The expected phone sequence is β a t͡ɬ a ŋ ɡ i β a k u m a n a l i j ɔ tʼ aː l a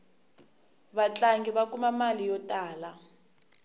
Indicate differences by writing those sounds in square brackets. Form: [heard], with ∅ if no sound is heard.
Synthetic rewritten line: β a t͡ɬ a ŋ ɡ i β a k u m a [m] a l i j ɔ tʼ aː l a